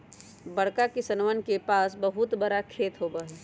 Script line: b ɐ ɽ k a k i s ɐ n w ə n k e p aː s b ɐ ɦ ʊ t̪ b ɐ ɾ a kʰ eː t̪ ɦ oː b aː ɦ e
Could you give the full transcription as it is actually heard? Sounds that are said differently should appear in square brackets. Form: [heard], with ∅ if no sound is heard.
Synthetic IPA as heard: b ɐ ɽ k a k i s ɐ n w ə n k e p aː s b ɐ ɦ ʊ t̪ b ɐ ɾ a kʰ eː t̪ ɦ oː b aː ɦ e